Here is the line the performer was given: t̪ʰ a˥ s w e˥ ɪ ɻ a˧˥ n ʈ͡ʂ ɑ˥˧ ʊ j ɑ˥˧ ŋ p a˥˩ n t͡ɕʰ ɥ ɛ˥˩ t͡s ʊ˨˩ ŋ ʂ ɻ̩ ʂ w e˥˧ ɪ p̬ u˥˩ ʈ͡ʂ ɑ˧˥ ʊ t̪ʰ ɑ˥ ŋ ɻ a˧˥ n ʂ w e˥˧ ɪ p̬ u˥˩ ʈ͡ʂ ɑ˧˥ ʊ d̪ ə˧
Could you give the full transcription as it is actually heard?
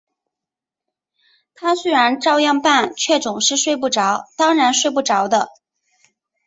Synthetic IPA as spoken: t̪ʰ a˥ s w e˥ ɪ ɻ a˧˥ n ʈ͡ʂ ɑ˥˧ ʊ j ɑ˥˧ ŋ p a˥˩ n t͡ɕʰ ɥ ɛ˥˩ t͡s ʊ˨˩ ŋ ʂ ɻ̩ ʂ w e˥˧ ɪ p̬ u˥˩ ʈ͡ʂ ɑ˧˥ ʊ t̪ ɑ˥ ŋ ɻ a˧˥ n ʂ w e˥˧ ɪ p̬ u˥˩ ʈ͡ʂ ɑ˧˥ ʊ d̪ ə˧

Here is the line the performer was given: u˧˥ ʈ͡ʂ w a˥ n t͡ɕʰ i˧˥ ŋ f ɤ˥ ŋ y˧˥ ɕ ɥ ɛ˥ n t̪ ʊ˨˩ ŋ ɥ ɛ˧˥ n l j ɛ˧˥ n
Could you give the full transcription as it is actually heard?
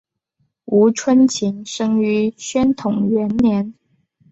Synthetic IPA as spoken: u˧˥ ʈ͡ʂʰ w ə˥ n t͡ɕʰ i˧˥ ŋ ʂ ɤ˥ ŋ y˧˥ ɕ ɥ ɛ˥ n t̪ʰ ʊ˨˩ ŋ ɥ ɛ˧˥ n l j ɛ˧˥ n

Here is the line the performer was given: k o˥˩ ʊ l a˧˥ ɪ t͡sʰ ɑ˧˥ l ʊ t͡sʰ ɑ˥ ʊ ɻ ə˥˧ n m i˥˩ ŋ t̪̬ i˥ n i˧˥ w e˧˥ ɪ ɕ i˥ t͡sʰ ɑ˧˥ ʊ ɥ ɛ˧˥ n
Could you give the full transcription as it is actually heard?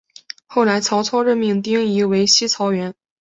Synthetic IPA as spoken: x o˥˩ ʊ l a˧˥ ɪ t͡sʰ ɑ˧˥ ʊ t͡sʰ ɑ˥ ʊ ɻ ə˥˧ n m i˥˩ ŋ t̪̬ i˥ ŋ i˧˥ w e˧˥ ɪ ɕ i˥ t͡sʰ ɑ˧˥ ʊ ɥ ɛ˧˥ n

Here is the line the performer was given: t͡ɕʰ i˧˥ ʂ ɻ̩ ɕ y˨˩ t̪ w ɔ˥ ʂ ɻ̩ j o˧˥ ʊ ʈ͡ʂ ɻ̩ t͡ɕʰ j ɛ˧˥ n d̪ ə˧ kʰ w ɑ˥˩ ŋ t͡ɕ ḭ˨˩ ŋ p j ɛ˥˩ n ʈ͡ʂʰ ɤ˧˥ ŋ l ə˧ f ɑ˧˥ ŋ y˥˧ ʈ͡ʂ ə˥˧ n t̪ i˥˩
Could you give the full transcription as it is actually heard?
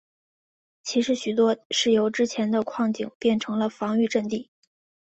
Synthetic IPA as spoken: t͡ɕʰ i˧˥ ʂ ɻ̩ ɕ y˨˩ t̪ w ɔ˥ ʂ ɻ̩ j o˧˥ ʊ ʈ͡ʂ ɻ̩ t͡ɕʰ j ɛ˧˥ n d̪ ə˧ kʰ w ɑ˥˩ ŋ t͡ɕ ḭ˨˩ ŋ p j ɛ˥˩ n ʈ͡ʂʰ ɤ˧˥ ŋ l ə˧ f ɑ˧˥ ŋ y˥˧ ʈ͡ʂ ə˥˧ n t̪ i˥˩

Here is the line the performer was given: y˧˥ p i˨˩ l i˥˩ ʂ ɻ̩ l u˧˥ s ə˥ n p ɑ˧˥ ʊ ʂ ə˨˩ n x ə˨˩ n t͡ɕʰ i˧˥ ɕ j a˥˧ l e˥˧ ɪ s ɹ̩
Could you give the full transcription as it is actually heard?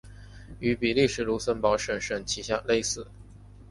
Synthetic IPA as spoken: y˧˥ p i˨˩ l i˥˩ ʂ ɻ̩ l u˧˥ s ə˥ n p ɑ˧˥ ʊ ʂ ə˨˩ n ʂ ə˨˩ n t͡ɕʰ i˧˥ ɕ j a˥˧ l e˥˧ ɪ s ɹ̩

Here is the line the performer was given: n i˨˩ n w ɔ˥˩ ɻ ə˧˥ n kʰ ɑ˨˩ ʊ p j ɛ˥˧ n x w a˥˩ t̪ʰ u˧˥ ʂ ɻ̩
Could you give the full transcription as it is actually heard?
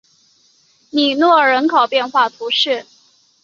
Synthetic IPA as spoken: n i˨˩ n w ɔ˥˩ ɻ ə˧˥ n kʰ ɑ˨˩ ʊ p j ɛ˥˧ n x w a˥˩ t̪ʰ u˧˥ ʂ ɻ̩

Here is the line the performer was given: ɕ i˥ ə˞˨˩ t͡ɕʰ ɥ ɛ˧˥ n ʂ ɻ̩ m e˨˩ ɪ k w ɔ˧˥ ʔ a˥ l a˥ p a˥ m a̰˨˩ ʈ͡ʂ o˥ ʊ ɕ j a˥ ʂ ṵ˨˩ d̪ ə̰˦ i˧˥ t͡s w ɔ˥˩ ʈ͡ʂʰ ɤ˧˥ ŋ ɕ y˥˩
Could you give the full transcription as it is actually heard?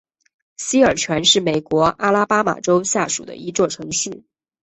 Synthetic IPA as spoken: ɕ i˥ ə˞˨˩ t͡ɕʰ ɥ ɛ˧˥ n ʂ ɻ̩ m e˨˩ ɪ k w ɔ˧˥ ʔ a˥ l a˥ p a˥ m a̰˨˩ ʈ͡ʂ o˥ ʊ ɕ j a˥˩ ʂ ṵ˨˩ d̪ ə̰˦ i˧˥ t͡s w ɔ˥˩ ʈ͡ʂʰ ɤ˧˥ ŋ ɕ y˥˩

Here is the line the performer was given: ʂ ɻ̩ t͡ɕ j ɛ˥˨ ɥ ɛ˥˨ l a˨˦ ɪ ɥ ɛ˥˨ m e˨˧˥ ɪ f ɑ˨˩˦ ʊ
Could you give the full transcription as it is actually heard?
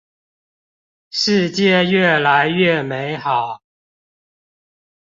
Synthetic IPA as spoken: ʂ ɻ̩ t͡ɕ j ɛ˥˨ ɥ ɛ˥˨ l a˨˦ ɪ ɥ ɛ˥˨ m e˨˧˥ ɪ x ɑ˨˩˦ ʊ

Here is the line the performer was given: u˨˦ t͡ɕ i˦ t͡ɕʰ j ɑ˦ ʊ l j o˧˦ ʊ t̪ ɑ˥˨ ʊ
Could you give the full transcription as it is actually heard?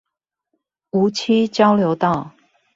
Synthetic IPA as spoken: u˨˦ t͡ɕʰ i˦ t͡ɕ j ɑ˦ ʊ l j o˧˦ ʊ t̪ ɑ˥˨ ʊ

